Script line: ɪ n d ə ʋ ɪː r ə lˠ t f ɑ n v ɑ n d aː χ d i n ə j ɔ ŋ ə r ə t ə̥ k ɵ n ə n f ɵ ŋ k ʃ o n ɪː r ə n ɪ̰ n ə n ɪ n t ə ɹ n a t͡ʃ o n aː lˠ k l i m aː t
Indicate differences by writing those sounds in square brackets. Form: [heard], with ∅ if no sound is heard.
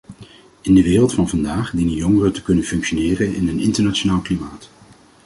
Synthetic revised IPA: ɪ n d ə ʋ ɪː r ə lˠ t f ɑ n v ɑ n d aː χ d i n ə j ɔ ŋ ə r ə t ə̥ k ɵ n ə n f ɵ ŋ k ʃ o n ɪː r ə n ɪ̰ n ə n ɪ n t ə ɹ n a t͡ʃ o n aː lˠ k l i m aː t

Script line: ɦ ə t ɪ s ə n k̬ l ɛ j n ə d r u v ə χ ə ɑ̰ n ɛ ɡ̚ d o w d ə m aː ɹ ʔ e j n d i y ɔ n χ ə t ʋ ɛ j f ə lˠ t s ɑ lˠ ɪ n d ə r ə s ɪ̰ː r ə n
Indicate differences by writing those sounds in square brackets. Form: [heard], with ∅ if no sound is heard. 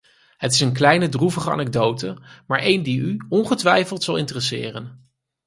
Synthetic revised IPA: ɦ ə t ɪ s ə n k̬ l ɛ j n ə d r u v ə χ ə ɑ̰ n ɛ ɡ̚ d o w [t] ə m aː ɹ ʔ e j n d i y ɔ n χ ə t ʋ ɛ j f ə lˠ t s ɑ lˠ ɪ n [t] ə r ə s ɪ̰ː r ə n

